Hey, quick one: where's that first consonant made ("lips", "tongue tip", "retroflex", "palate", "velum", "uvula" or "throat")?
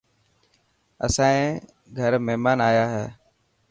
tongue tip